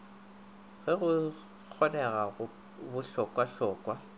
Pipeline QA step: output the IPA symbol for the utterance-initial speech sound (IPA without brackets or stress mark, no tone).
ɣ